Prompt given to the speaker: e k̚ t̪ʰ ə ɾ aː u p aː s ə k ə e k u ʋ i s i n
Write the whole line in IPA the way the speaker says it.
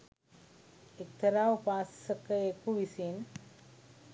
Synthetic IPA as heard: e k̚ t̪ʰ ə ɾ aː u p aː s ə k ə e k u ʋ i s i n

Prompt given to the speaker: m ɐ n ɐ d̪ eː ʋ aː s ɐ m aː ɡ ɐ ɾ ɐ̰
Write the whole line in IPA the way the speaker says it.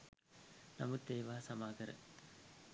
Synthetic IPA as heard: n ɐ m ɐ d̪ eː ʋ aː s ɐ m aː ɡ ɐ ɾ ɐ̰

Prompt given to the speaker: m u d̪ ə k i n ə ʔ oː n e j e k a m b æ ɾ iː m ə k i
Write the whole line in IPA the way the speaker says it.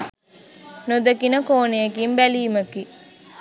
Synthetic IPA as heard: n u d̪ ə k i n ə k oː n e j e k i m b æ l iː m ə k i

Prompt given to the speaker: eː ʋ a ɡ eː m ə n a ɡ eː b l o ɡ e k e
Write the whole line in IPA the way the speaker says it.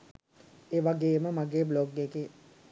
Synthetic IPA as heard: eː ʋ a ɡ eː m ə m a ɡ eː b l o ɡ e k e

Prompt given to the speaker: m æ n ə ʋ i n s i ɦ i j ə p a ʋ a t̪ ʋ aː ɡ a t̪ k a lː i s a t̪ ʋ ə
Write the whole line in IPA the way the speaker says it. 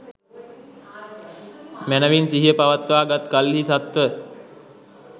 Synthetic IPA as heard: m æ n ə ʋ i n s i ɦ i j ə p a ʋ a t̪ ʋ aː ɡ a t̪ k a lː i s a t̪ ʋ ə

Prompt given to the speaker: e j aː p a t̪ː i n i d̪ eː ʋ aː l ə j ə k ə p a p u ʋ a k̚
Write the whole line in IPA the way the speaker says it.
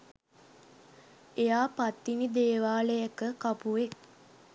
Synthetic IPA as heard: e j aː p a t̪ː i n i d̪ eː ʋ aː l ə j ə k ə k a p u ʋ e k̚

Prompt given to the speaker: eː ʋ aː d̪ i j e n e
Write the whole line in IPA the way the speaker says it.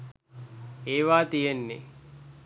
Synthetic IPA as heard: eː ʋ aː t̪ i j e nː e

